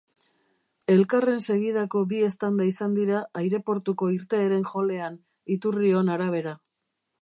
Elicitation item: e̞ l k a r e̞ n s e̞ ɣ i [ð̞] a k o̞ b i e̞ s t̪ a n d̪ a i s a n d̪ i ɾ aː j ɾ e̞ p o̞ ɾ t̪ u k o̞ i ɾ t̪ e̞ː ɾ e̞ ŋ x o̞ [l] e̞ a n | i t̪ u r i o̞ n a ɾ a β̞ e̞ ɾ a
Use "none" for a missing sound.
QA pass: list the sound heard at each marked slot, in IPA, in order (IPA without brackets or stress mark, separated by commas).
ð̞, l